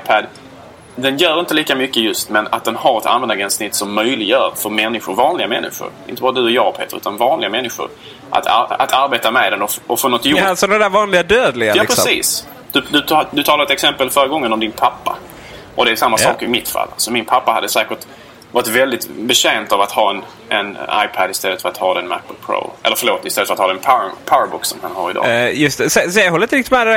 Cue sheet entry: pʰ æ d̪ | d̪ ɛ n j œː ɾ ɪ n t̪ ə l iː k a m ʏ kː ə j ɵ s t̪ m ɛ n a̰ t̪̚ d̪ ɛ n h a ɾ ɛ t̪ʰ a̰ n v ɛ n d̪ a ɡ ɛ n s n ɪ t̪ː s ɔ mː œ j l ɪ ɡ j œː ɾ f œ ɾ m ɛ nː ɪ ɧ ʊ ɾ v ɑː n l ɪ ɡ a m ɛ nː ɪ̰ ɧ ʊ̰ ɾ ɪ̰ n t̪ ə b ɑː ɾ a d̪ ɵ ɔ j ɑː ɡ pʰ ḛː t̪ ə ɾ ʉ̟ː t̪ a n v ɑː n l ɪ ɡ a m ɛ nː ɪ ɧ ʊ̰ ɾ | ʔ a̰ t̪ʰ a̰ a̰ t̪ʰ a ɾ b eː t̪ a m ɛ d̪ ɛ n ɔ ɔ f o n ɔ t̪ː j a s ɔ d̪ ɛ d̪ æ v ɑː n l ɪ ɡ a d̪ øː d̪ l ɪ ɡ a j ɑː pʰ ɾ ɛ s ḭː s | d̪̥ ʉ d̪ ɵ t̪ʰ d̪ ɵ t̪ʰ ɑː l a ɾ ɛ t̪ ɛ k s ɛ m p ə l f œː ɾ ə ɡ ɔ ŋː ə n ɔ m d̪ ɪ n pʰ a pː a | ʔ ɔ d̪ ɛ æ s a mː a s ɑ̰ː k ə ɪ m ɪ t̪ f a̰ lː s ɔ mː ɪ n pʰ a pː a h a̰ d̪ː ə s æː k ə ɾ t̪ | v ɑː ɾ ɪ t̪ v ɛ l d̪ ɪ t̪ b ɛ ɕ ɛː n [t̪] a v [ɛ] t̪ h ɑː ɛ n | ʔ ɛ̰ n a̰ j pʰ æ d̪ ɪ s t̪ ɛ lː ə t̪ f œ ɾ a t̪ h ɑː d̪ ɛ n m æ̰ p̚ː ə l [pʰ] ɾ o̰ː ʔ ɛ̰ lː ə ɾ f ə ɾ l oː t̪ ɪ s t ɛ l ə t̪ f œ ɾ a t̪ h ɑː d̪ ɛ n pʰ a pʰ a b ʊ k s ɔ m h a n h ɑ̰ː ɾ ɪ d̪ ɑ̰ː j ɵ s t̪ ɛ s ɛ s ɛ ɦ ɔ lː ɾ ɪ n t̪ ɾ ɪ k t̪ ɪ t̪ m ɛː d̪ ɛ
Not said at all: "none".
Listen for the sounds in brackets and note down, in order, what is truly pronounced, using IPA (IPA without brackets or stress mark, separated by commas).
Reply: t̪, a, pʰ